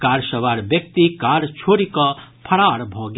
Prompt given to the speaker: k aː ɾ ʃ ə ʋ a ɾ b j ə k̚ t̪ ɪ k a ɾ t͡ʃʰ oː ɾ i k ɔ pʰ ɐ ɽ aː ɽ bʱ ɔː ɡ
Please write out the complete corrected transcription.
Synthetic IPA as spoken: k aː ɾ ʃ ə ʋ a ɾ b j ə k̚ t̪ i k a ɾ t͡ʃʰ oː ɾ i k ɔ pʰ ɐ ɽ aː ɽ bʱ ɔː ɡ